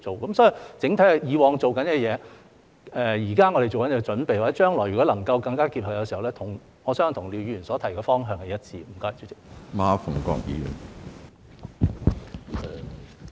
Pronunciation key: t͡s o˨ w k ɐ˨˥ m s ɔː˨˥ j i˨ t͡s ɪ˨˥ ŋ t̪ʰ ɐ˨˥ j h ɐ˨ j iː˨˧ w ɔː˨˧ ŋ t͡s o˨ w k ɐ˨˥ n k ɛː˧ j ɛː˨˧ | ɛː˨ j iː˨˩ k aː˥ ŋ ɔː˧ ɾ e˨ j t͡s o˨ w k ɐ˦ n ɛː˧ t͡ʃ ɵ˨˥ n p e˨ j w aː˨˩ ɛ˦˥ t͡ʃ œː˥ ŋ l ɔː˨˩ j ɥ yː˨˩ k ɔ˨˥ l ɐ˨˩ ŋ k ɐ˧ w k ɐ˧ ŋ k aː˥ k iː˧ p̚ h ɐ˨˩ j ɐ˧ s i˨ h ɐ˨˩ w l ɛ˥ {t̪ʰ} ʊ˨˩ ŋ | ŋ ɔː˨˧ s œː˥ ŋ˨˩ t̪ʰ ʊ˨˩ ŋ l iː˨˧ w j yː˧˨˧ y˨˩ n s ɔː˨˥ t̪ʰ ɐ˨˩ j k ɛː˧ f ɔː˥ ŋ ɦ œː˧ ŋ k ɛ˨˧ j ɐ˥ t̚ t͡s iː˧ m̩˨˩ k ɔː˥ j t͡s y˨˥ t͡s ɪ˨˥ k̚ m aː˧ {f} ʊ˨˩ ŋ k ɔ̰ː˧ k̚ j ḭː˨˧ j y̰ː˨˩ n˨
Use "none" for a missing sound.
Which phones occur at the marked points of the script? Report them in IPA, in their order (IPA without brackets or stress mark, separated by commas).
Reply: t̪ʰ, f